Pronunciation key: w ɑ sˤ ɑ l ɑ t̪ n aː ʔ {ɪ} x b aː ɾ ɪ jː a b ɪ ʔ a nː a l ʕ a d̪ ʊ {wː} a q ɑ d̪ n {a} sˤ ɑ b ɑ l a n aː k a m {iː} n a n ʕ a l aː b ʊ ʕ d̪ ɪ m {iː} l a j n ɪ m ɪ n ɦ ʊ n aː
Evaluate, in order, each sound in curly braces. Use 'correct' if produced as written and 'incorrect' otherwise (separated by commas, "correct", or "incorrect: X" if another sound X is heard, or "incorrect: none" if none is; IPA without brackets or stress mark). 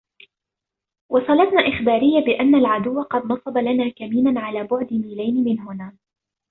correct, correct, incorrect: ɑ, correct, correct